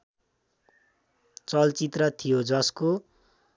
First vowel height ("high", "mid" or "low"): mid